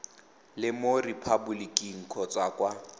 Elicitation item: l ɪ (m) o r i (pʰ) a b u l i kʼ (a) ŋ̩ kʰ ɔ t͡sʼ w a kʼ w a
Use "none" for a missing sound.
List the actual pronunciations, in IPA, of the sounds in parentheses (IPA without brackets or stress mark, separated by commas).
m, pʰ, i